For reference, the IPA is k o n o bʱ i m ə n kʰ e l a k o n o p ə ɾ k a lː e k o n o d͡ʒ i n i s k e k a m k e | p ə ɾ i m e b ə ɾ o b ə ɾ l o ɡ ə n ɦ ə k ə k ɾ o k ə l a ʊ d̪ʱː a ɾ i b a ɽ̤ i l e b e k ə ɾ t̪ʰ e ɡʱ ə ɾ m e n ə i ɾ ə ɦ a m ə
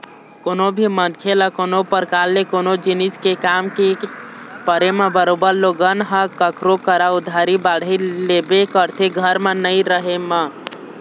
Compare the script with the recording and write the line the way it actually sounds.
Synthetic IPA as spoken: k o n o bʱ i m ə n kʰ e l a k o n o p ə ɾ k a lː e k o n o d͡ʒ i n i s k e k a m k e | p ə ɾ e m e b ə ɾ o b ə ɾ l o ɡ ə n ɦ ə k ə k ɾ o k ə ɾ a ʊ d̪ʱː a ɾ i b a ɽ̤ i l e b e k ə ɾ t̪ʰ e ɡʱ ə ɾ m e n ə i ɾ ə ɦ e m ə